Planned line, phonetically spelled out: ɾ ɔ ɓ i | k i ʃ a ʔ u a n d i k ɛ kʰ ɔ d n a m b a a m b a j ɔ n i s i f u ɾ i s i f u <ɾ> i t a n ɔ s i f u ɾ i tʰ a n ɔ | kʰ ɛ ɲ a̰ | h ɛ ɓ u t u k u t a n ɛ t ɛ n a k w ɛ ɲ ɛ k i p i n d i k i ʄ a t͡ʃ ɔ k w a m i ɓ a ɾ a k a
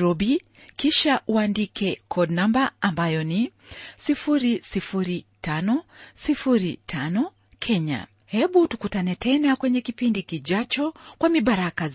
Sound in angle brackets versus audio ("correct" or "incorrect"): correct